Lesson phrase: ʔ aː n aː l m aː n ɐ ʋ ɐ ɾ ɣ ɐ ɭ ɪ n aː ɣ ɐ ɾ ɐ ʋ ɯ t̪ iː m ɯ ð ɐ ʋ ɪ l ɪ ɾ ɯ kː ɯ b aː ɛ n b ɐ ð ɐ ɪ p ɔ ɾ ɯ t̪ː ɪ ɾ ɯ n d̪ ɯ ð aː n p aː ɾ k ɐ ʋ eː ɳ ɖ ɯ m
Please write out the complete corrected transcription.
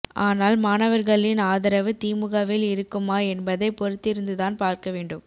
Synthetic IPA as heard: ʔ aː n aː l m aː n ɐ ʋ ɐ ɾ ɣ ɐ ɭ ɪ n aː ð ɐ ɾ ɐ ʋ ɯ t̪ iː m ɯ ɣ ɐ ʋ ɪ l ɪ ɾ ɯ kː ɯ m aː ɛ n b ɐ ð ɐ ɪ p ɔ ɾ ɯ t̪ː ɪ ɾ ɯ n d̪ ɯ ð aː n p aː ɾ k ɐ ʋ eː ɳ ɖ ɯ m